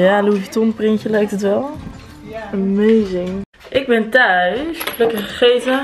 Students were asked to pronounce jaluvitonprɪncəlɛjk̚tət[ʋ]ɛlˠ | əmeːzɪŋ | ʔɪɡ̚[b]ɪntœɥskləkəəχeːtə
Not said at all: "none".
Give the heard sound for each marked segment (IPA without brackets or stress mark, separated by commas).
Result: ʋ, b